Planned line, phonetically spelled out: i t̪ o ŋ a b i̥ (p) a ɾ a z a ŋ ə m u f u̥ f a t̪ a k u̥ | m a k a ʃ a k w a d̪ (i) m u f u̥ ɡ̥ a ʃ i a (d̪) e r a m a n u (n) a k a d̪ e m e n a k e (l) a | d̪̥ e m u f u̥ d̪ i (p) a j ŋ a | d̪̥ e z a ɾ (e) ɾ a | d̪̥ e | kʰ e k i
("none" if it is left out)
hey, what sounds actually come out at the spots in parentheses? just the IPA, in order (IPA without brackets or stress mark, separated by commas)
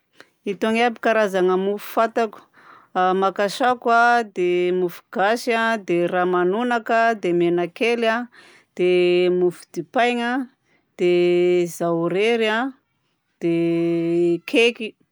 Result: k, e, d̪, n, l, p, e